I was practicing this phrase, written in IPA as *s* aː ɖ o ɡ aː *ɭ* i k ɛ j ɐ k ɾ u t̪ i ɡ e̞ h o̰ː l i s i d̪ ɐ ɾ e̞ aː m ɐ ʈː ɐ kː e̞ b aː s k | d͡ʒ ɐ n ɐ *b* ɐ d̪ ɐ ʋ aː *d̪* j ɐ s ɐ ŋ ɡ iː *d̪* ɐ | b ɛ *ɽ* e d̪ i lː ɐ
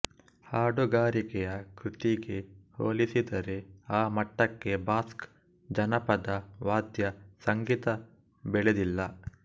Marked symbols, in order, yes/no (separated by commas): no, no, no, yes, no, no